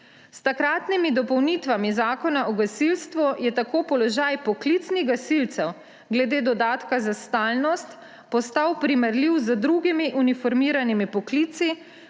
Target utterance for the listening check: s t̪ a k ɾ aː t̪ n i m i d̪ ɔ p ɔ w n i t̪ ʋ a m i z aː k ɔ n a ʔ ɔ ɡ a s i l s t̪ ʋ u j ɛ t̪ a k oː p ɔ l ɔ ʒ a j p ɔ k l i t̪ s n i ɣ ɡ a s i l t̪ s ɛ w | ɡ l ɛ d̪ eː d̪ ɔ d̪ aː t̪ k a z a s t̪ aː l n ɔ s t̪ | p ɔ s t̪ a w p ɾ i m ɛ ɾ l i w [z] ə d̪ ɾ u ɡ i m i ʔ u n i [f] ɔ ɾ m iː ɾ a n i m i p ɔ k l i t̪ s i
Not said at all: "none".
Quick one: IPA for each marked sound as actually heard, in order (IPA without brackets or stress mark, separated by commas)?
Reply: z, f